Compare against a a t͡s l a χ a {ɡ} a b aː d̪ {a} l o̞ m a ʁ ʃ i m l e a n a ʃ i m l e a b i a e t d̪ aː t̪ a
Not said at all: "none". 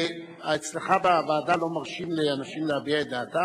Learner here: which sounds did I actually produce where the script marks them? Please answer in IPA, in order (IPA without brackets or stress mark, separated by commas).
b, a